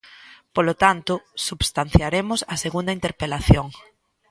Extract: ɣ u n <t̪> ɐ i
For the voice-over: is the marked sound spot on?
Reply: no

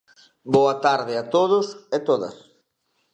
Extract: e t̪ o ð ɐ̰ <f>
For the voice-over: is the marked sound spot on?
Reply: no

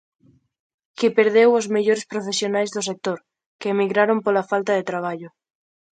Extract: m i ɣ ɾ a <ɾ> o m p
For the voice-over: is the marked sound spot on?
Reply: yes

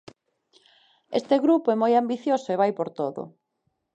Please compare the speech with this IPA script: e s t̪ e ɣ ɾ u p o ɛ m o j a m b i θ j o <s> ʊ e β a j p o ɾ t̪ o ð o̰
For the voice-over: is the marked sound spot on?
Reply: yes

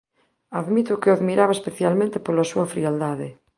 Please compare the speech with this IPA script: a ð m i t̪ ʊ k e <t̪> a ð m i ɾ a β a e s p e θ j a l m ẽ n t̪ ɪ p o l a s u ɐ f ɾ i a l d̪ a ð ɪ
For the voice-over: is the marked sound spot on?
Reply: no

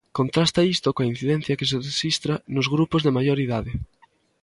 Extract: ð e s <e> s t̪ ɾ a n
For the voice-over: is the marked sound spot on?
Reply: no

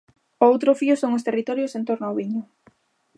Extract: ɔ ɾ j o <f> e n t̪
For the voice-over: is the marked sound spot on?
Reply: no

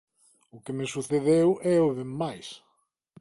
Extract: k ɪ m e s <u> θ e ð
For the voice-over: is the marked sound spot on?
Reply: yes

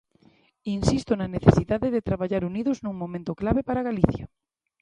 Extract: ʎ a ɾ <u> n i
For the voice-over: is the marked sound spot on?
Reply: yes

